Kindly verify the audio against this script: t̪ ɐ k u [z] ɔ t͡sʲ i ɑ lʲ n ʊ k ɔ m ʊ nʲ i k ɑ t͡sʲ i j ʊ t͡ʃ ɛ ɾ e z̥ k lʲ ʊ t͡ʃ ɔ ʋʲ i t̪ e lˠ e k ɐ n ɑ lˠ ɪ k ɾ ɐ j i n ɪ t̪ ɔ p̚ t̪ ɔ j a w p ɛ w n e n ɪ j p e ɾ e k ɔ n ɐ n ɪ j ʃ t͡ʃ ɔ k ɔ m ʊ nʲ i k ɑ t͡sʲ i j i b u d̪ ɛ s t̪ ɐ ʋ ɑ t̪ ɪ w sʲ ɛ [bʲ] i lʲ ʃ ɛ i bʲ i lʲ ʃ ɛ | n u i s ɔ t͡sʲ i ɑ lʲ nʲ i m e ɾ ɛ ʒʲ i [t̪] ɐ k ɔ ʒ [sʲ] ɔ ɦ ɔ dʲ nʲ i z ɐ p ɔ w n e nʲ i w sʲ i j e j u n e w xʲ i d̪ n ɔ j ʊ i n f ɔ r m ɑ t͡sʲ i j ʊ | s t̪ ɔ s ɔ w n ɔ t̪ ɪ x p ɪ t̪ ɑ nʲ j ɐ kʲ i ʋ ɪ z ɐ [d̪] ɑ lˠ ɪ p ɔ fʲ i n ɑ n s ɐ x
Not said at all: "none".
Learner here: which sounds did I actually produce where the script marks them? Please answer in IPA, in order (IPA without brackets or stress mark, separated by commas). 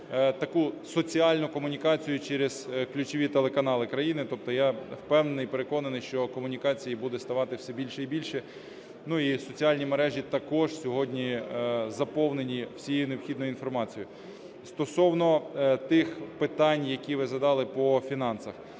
s, bʲ, t̪, sʲ, d̪